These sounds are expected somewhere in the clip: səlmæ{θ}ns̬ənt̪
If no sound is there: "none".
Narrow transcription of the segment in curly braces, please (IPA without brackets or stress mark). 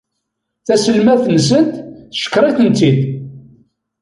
θ